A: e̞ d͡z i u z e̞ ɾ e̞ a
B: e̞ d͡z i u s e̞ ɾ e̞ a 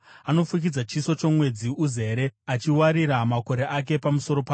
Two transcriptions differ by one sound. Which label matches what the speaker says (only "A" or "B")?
A